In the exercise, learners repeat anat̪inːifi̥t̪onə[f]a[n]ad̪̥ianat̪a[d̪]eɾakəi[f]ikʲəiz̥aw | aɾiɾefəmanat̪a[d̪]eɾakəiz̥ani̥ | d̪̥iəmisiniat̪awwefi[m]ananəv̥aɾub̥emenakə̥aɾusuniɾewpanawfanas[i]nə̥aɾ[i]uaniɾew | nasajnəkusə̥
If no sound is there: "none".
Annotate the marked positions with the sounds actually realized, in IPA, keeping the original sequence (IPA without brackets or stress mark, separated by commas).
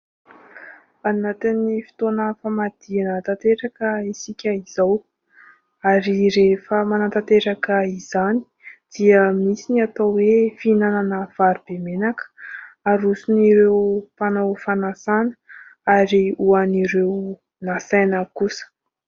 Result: f, m, t̪, s, t̪, n, a, i